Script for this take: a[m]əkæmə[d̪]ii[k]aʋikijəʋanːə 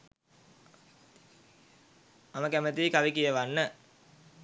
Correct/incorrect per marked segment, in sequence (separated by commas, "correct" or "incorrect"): correct, incorrect, correct